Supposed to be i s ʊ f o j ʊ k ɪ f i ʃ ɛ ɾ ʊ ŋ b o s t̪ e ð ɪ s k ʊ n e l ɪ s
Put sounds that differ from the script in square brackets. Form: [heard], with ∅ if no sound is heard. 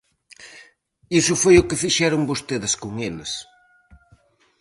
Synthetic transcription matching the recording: i s ʊ f o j ʊ k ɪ f i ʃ ɛ ɾ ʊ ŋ b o s t̪ e ð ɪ s k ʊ [ŋ] e l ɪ s